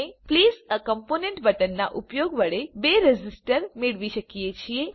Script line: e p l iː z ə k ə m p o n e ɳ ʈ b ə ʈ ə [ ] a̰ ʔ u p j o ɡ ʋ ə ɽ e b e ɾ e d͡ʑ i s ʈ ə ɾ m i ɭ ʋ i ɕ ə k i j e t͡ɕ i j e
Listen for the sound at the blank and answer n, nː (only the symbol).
nː